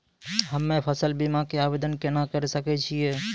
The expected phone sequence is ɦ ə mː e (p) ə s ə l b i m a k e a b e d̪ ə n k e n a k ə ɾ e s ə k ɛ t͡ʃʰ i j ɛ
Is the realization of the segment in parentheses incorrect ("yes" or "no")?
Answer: yes